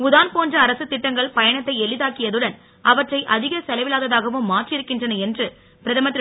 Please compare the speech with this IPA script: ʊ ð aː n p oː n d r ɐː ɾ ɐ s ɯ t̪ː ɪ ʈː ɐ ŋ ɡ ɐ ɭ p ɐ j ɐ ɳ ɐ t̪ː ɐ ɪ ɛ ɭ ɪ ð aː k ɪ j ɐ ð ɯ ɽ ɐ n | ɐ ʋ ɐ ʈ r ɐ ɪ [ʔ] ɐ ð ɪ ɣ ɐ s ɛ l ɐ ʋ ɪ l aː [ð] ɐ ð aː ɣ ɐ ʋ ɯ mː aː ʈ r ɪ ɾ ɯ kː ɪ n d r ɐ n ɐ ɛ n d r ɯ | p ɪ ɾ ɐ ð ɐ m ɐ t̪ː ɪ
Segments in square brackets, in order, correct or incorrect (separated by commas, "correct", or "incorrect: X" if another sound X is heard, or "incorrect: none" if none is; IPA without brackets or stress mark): correct, correct